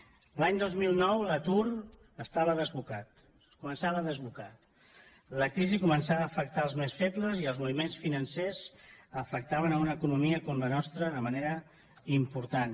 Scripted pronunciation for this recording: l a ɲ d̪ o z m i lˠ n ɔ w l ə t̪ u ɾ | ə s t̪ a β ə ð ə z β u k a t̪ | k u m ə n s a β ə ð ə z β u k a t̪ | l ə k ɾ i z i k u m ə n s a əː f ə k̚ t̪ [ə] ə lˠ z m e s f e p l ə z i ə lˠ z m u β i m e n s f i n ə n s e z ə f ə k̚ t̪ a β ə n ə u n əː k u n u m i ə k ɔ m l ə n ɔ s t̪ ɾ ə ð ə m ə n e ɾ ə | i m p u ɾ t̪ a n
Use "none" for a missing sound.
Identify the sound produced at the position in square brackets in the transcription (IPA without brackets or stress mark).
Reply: a